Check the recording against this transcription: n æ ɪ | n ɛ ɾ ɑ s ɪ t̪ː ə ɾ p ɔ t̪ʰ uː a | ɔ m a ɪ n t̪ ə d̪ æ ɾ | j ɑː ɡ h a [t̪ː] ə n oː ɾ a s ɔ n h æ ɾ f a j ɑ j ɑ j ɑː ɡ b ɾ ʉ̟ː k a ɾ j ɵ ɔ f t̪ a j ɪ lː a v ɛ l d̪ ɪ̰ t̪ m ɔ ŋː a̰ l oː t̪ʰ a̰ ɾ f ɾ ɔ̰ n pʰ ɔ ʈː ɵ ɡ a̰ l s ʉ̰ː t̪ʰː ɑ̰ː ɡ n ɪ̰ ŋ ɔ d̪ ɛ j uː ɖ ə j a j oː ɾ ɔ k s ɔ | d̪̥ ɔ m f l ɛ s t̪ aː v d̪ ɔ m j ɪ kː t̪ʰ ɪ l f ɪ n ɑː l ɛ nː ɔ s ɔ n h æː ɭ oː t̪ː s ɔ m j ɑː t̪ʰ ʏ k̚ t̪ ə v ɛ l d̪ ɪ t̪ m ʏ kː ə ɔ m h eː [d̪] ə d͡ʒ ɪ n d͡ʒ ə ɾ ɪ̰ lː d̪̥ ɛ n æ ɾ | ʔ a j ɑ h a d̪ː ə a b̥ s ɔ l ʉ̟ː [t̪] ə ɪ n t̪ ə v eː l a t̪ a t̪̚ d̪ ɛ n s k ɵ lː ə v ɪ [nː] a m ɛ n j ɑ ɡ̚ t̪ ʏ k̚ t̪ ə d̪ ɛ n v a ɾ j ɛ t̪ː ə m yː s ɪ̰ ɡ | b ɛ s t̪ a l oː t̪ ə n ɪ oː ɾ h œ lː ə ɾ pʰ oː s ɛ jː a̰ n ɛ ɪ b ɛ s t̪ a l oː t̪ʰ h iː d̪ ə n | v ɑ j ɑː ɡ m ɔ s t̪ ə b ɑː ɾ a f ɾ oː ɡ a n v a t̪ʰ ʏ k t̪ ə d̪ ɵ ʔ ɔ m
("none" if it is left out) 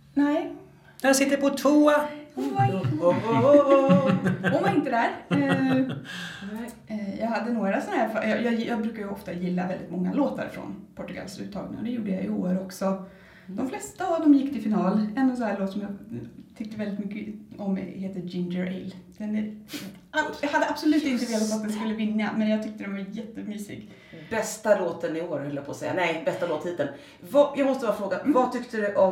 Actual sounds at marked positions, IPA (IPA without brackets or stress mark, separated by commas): d̪ː, t̪, t̪, nː